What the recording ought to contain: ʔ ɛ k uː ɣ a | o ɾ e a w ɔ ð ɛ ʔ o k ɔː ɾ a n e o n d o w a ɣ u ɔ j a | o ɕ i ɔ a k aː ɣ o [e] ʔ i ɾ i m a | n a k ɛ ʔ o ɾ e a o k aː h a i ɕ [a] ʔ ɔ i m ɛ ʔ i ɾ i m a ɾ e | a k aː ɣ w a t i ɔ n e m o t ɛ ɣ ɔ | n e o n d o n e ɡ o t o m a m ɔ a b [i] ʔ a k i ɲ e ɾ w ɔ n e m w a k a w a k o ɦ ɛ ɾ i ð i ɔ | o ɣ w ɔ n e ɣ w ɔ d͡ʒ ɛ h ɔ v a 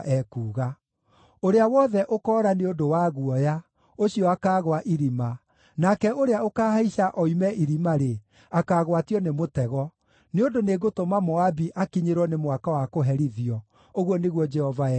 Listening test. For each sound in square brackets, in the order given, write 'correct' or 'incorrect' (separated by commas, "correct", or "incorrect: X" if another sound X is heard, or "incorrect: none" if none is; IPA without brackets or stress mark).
incorrect: a, correct, correct